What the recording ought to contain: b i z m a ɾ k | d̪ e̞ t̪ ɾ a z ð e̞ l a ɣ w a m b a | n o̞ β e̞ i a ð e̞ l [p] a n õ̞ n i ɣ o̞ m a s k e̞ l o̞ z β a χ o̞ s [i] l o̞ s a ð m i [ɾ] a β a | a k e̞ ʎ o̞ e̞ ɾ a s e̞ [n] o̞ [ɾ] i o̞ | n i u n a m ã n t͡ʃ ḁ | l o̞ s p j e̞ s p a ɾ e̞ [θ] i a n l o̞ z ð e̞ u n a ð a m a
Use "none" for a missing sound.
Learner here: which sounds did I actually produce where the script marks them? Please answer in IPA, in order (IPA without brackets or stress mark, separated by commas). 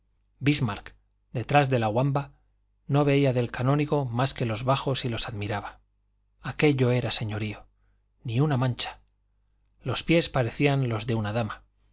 k, i, ɾ, ɲ, ɾ, θ